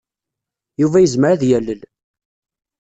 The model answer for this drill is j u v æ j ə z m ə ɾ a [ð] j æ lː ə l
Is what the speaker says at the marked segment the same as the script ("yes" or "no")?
yes